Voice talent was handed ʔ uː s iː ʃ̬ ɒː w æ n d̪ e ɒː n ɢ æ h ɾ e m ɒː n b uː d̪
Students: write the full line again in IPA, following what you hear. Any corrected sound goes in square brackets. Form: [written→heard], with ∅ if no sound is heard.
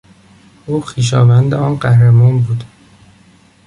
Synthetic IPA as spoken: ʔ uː [s→x] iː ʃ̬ ɒː [w→v] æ n d̪ e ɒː n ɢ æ h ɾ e m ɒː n b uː d̪